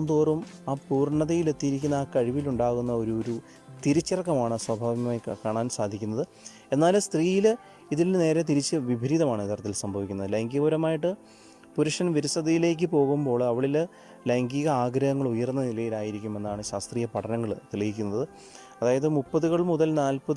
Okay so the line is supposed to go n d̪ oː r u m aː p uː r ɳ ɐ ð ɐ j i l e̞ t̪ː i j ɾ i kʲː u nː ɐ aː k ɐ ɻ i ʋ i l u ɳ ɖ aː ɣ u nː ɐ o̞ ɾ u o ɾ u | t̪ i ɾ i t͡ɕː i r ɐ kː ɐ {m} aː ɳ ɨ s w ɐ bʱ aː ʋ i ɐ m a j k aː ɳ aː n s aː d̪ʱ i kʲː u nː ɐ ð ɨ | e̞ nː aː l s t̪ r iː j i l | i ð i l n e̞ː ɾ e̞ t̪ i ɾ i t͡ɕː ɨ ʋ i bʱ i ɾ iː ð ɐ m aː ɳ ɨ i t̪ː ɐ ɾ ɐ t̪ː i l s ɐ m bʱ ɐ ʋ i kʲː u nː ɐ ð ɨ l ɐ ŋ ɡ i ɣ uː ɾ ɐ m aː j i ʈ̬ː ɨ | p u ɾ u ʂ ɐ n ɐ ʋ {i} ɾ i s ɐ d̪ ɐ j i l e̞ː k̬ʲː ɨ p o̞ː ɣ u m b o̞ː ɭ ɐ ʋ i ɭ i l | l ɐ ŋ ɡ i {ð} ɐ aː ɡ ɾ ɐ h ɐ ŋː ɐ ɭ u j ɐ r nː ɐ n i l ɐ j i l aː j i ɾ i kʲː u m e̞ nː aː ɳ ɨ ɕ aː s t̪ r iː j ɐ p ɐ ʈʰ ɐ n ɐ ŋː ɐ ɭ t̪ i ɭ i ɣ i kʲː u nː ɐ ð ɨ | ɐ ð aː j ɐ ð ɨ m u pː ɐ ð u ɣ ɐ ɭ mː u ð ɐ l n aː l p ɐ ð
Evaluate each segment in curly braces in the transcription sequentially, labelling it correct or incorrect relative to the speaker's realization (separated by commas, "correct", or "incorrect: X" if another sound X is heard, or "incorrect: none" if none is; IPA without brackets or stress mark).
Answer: correct, correct, incorrect: ɣ